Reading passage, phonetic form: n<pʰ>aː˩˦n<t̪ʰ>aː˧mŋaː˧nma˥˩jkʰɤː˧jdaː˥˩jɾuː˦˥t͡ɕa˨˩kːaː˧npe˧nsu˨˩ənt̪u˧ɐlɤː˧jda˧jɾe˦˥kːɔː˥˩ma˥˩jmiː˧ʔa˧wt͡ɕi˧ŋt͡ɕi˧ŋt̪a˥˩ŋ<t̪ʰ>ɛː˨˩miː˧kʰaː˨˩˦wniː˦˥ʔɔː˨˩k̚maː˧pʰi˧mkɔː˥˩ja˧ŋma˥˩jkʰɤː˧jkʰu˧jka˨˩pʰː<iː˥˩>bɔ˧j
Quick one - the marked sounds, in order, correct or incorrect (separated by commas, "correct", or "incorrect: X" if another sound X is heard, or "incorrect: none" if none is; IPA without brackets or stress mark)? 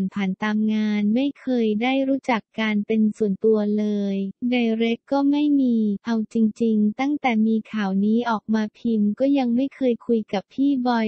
correct, incorrect: t̪, incorrect: t̪, correct